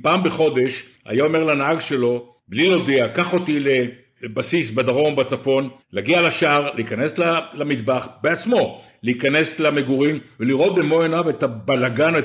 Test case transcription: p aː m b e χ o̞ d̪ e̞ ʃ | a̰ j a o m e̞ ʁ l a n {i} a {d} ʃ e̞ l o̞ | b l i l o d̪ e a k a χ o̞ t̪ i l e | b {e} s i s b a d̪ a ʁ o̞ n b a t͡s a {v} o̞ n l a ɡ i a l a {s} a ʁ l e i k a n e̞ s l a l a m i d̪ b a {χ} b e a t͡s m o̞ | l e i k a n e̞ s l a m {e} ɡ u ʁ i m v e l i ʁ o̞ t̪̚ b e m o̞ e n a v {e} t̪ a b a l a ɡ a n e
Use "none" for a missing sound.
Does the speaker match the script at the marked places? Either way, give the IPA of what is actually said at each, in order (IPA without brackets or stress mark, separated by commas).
a, ɡ, a, f, ʃ, χ, e, e